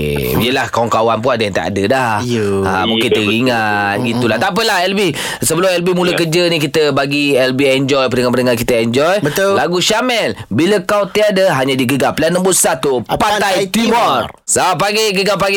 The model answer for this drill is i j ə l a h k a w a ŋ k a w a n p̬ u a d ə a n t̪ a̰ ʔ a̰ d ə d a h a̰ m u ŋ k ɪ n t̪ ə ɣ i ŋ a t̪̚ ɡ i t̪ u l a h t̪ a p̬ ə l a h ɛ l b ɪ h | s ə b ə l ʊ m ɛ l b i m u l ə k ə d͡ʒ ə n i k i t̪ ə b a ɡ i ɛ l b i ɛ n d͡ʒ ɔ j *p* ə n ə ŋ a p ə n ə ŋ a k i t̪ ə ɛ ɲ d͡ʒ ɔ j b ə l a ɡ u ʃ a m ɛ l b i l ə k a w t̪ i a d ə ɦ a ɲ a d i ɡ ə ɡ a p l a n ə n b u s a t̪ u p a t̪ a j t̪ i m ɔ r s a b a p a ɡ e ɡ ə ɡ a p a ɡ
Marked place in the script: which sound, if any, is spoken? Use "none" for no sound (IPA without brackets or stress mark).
p